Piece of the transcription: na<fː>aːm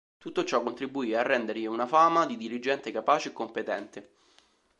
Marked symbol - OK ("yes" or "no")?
no